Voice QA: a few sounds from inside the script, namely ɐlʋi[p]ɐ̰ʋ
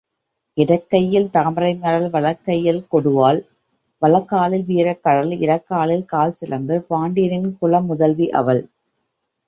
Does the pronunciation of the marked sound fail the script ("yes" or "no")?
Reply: yes